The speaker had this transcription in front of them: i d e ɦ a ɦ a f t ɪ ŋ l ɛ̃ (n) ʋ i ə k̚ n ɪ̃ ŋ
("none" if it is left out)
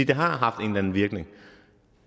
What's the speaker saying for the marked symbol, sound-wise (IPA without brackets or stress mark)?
n